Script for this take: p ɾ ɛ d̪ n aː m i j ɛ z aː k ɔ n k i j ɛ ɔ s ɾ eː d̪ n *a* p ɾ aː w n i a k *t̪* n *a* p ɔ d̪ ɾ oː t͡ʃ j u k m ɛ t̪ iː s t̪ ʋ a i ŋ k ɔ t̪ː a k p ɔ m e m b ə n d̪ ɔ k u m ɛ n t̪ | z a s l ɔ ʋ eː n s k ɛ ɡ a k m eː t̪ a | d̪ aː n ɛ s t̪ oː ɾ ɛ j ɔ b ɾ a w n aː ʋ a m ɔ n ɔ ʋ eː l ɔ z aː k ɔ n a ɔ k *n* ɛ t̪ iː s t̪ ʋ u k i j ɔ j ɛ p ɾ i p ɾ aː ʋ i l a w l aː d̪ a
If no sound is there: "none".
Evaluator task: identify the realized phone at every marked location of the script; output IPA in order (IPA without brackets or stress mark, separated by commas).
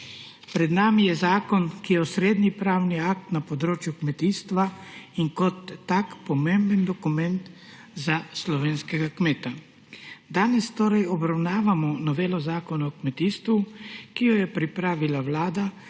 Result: i, t̪, a, m